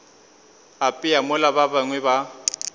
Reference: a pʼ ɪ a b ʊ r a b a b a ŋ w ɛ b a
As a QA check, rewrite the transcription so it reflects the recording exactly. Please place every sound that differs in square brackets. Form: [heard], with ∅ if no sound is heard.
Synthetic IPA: a pʼ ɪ a [m] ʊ [l] a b a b a ŋ w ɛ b a